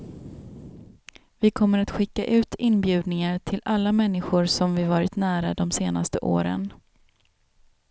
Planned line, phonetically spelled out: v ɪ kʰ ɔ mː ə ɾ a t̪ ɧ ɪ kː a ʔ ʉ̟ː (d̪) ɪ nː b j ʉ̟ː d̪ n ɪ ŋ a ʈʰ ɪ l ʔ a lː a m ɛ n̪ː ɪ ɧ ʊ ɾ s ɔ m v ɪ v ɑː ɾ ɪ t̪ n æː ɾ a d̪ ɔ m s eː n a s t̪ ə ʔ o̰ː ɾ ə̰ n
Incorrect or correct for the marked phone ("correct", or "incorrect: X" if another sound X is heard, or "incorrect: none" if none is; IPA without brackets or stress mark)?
incorrect: t̪